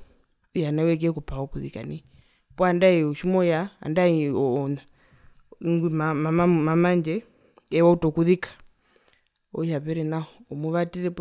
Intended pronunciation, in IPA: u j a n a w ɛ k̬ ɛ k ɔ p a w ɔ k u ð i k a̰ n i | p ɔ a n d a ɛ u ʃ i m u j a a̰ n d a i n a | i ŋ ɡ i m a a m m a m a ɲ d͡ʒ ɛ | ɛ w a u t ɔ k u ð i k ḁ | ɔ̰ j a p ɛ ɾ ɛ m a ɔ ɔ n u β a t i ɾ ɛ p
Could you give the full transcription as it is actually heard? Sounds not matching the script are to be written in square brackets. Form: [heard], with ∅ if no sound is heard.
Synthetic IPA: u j a n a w ɛ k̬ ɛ k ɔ p a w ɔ k u ð i k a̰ n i | p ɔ a n d a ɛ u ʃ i m [ɔ] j a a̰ n d a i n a | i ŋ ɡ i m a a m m a m a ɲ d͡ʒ ɛ | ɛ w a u t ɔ k u ð i k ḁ | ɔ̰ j a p ɛ ɾ ɛ [n] a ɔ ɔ [m] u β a t i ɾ ɛ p

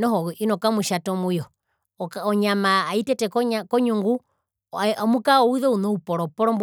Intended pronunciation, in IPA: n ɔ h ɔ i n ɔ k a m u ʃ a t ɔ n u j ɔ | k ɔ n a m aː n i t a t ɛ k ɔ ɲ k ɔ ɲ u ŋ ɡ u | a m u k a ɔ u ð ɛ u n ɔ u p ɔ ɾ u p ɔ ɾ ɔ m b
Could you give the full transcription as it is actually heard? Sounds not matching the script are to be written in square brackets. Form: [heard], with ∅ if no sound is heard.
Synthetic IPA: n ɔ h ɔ i n ɔ k a m u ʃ a t ɔ [m] u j ɔ | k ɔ [ɲ] a m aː [∅] i t [ɛ] t ɛ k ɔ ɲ k ɔ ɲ u ŋ ɡ u | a m u k a ɔ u ð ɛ u n ɔ u p ɔ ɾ [ɔ] p ɔ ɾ ɔ m b

